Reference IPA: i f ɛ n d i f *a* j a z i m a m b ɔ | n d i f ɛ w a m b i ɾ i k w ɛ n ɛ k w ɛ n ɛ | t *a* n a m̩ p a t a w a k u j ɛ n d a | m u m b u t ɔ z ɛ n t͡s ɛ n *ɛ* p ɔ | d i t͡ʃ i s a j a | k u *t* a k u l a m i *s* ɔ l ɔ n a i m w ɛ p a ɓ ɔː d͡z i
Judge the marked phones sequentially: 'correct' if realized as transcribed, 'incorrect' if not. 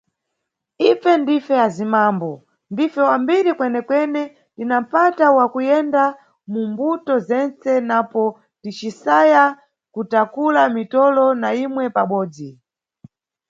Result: incorrect, incorrect, incorrect, correct, incorrect

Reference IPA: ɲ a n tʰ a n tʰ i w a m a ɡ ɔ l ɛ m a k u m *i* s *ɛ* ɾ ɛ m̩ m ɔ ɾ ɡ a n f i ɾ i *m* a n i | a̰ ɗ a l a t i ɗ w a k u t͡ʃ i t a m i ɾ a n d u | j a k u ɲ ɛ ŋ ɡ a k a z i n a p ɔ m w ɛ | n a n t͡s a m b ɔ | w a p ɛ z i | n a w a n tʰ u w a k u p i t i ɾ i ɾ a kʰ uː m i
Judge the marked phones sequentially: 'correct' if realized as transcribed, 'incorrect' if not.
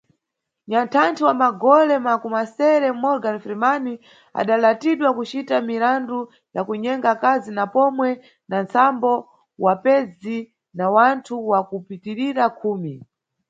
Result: incorrect, correct, correct

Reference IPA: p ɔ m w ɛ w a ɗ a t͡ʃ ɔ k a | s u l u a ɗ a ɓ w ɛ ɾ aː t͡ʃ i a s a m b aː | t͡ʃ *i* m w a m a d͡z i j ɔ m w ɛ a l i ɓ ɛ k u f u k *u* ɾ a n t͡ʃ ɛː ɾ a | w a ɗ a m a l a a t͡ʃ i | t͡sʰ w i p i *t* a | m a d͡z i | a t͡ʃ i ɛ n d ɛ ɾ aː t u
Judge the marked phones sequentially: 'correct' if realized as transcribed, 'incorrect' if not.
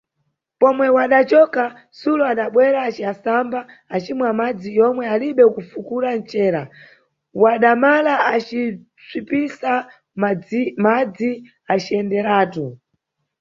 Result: correct, correct, incorrect

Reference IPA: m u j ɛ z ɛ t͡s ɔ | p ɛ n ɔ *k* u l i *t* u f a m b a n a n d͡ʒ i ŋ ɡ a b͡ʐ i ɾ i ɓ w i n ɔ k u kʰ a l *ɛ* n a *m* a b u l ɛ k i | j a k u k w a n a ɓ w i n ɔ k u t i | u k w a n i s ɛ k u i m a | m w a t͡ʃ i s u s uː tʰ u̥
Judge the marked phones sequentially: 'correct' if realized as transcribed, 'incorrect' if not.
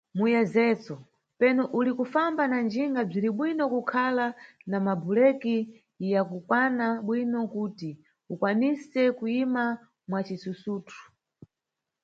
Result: incorrect, incorrect, incorrect, correct

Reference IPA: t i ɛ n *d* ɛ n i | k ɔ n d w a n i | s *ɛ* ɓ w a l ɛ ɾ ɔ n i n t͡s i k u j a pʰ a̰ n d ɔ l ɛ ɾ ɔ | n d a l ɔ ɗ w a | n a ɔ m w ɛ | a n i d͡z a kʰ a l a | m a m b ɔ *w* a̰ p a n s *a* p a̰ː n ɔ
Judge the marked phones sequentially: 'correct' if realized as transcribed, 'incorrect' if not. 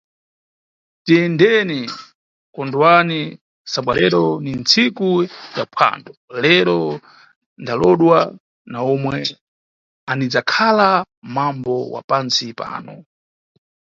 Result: correct, incorrect, correct, incorrect

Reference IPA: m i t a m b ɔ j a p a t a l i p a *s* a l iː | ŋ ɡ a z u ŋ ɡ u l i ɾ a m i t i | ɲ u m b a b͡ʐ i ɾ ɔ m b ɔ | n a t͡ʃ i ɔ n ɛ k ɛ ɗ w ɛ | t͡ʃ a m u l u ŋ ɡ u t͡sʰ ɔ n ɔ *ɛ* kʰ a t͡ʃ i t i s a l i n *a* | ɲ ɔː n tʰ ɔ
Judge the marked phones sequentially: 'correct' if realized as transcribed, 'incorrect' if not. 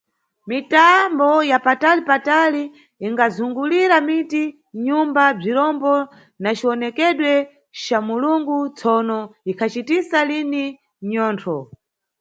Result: incorrect, incorrect, incorrect

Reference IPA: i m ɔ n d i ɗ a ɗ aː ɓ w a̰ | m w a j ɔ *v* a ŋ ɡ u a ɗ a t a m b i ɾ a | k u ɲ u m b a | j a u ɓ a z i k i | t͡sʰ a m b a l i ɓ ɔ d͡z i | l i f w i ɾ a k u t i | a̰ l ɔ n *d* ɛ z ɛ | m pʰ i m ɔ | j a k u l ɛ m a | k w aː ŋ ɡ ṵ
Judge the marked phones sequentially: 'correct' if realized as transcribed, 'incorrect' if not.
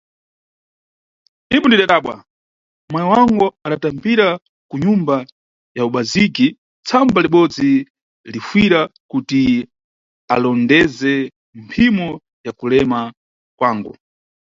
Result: incorrect, correct

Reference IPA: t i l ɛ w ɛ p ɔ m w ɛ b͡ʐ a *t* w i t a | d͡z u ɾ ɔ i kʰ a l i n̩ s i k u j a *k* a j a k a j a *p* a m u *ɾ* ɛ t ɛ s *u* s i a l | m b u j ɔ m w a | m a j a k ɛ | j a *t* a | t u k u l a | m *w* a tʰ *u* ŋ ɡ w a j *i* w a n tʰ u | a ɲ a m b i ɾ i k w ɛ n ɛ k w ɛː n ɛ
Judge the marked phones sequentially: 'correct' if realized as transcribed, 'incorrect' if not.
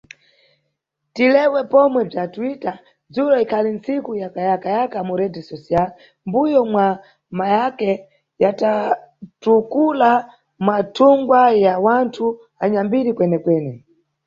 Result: correct, correct, incorrect, correct, incorrect, correct, correct, correct, incorrect

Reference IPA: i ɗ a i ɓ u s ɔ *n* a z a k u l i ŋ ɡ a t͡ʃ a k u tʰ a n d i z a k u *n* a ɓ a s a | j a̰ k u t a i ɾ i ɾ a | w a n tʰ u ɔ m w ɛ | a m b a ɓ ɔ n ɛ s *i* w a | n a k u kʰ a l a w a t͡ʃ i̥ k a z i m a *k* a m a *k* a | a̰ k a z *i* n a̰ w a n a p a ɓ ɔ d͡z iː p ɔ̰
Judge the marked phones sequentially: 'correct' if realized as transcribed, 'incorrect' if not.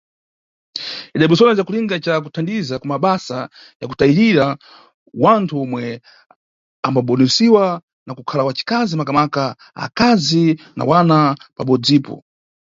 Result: correct, incorrect, correct, correct, correct, correct

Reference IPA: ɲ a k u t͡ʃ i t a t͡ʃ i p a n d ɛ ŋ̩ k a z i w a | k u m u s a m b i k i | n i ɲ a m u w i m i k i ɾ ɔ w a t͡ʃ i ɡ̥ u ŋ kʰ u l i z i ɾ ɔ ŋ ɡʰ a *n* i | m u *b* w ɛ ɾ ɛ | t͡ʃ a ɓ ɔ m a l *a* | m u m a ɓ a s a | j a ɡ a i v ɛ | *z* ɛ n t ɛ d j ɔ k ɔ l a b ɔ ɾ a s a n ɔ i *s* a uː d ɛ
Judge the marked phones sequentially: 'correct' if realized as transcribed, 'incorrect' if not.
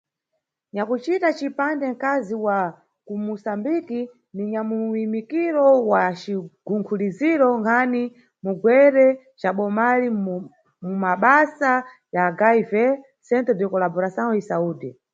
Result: correct, incorrect, incorrect, incorrect, correct

